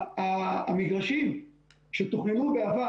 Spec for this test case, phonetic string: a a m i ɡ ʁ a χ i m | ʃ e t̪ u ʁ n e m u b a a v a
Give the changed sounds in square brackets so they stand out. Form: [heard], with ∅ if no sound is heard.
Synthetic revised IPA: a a m i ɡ ʁ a [ʃ] i m | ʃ e t̪ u [χ] n e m u b [e] a v a